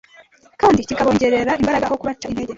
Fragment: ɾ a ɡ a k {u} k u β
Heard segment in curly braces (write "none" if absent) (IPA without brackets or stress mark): o